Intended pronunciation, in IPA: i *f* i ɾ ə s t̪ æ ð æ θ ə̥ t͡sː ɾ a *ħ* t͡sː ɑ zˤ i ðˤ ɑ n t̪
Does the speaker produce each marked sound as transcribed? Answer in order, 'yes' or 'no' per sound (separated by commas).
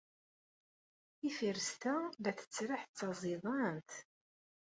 yes, yes